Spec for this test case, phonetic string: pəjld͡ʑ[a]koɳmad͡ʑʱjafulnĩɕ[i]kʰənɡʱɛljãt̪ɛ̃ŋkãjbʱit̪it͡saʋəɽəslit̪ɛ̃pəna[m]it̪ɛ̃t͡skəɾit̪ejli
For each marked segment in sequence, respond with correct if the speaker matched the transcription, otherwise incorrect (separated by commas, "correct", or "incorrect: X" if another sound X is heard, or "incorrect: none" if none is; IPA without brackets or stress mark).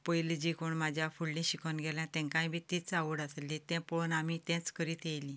incorrect: i, correct, correct